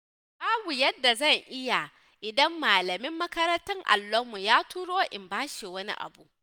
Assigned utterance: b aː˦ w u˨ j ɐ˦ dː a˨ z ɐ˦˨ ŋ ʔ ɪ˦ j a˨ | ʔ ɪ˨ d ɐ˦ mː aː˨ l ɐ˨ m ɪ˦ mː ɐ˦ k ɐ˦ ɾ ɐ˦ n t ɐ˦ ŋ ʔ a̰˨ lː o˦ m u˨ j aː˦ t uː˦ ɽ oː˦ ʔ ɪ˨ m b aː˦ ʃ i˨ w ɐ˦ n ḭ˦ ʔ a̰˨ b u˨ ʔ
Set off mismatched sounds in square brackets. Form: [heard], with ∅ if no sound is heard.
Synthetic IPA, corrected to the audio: b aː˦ [b] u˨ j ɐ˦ dː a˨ z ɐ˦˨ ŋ ʔ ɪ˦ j a˨ | ʔ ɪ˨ d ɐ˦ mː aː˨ l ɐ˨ m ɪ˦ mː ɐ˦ k ɐ˦ ɾ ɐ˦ n t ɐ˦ ŋ ʔ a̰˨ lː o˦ m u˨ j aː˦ t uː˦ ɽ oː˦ ʔ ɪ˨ m b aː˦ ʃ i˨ w ɐ˦ n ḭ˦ ʔ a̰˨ b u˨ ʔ

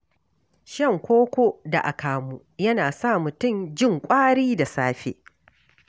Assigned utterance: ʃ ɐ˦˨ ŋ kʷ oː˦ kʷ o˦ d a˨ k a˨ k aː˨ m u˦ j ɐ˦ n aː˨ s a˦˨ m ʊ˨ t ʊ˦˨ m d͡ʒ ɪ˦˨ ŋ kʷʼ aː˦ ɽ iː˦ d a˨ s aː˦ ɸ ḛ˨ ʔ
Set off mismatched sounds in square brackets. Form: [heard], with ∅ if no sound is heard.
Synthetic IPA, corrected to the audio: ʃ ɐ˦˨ ŋ kʷ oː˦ kʷ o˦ d a˨ [ʔ] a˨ k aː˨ m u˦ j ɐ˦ n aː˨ s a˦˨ m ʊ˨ t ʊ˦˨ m d͡ʒ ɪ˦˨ ŋ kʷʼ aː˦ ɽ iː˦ d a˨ s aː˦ ɸ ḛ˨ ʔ

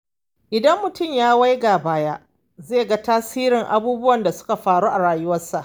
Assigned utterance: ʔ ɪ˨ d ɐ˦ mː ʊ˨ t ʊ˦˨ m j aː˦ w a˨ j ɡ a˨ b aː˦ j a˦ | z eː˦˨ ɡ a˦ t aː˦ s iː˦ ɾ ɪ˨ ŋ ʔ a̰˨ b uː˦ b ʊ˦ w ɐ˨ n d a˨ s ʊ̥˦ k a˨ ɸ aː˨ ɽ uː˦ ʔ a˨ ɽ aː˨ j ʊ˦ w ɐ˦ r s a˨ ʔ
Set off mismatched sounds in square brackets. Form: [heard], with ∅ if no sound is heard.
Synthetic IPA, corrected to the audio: ʔ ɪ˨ d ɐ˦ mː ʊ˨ t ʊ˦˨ m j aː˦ w [a˦] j ɡ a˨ b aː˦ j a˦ | z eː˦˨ ɡ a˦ t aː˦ s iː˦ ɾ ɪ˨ ŋ ʔ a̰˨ b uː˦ b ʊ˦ w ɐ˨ n d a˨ s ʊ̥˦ k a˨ ɸ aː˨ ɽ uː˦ ʔ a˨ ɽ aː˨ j ʊ˦ w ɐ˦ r s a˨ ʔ

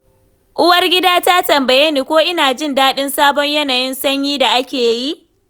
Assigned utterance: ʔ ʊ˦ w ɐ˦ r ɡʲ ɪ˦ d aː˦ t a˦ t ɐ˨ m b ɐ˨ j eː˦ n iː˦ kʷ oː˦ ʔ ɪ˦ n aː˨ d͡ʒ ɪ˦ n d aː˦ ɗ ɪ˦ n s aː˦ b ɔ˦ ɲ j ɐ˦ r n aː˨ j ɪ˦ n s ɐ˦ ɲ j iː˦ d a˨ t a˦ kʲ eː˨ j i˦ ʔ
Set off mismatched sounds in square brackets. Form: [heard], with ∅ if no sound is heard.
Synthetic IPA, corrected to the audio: ʔ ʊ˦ w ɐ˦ r ɡʲ ɪ˦ d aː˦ t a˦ t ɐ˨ m b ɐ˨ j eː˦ n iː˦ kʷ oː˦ ʔ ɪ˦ n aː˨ d͡ʒ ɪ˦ n d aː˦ ɗ ɪ˦ n s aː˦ b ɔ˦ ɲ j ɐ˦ [∅] n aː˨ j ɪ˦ n s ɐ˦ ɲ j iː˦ d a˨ [ʔ] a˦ kʲ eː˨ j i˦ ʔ

